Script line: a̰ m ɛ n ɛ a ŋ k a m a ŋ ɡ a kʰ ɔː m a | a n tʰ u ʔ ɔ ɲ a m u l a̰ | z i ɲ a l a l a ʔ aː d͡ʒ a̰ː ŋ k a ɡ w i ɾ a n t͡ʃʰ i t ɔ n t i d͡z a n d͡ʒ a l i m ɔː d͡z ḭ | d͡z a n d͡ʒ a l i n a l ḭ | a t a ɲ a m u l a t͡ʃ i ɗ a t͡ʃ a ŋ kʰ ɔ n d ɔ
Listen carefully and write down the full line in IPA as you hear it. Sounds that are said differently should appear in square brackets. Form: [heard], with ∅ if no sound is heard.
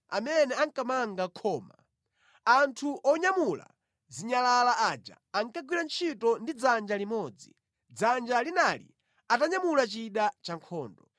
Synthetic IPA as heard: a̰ m ɛ n ɛ a ŋ k a m a ŋ ɡ a kʰ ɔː m a | a n tʰ u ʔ ɔ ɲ a m u l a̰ | z i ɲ a l a l a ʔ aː d͡ʒ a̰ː ŋ k a ɡ w i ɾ a n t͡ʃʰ i t ɔ n [d] i d͡z a n d͡ʒ a l i m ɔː d͡z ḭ | d͡z a n d͡ʒ a l i n a l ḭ | a t a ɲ a m u l a t͡ʃ i ɗ a t͡ʃ a ŋ kʰ [ɔː] n d ɔ